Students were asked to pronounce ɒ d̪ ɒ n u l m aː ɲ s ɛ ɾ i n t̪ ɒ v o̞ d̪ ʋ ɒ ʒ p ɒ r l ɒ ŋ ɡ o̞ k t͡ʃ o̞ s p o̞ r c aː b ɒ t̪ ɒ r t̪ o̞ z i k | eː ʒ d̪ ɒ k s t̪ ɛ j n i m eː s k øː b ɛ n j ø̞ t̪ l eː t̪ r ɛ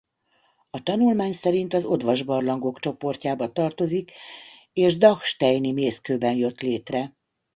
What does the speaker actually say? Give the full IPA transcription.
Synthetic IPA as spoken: ɒ t̪ ɒ n u l m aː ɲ s ɛ ɾ i n t̪ ɒ z o̞ d̪ ʋ ɒ ʒ b ɒ r l ɒ ŋ ɡ o̞ k t͡ʃ o̞ p o̞ r c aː b ɒ t̪ ɒ r t̪ o̞ z i k | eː ʒ d̪ ɒ k ʃ t̪ ɛ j n i m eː s k øː b ɛ n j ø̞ t̪ l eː t̪ r ɛ